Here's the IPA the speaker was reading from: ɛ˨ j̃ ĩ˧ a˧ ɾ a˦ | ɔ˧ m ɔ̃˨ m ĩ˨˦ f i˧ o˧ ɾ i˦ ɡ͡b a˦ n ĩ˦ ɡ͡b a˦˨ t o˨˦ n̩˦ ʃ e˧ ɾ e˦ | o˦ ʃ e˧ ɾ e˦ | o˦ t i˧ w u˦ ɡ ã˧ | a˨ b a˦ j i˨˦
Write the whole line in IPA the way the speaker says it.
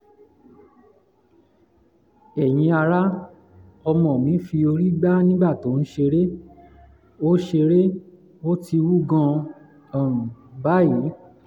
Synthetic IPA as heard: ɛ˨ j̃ ĩ˧ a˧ ɾ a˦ | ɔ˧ m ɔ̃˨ m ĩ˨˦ f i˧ o˧ ɾ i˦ ɡ͡b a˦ n ĩ˦ ɡ͡b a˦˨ t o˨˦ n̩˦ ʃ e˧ ɾ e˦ | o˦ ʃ e˧ ɾ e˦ | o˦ t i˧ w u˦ ɡ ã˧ | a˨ b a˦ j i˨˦